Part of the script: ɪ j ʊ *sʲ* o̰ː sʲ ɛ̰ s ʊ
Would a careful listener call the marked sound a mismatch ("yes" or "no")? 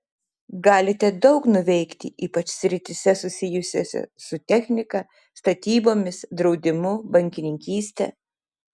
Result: no